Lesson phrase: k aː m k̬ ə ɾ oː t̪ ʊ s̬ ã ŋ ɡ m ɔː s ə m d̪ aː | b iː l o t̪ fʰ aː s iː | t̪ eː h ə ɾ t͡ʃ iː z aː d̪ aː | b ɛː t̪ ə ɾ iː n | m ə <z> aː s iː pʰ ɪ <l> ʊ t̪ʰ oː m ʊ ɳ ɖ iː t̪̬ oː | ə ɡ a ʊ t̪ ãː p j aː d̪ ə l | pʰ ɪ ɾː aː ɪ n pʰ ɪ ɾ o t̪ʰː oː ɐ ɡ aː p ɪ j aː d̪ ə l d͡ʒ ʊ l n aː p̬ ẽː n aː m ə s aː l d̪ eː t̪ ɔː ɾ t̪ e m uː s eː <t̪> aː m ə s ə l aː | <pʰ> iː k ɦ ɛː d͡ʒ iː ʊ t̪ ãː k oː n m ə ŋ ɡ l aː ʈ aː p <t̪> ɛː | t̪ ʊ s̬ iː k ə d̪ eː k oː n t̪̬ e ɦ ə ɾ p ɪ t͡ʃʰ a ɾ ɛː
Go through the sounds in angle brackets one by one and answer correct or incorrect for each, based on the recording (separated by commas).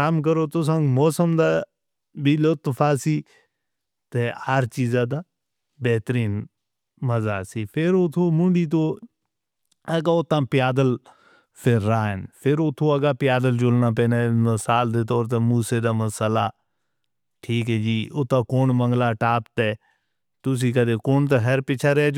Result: correct, incorrect, incorrect, incorrect, correct